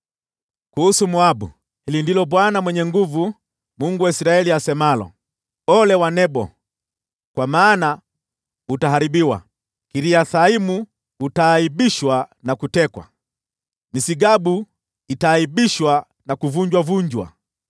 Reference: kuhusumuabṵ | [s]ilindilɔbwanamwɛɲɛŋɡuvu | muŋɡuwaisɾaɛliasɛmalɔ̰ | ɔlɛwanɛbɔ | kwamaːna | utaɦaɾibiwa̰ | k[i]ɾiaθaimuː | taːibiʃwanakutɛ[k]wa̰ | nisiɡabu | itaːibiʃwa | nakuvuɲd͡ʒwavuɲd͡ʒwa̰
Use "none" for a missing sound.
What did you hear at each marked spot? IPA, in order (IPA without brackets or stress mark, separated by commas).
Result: h, i, k